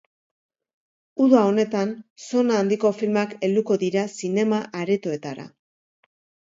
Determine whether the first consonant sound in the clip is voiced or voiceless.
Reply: voiced